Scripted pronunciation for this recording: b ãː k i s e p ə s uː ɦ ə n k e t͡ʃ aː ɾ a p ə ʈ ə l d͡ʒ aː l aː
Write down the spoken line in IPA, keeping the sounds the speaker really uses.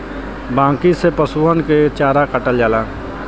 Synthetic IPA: b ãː k i s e p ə s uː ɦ ə n k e t͡ʃ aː ɾ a k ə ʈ ə l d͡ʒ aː l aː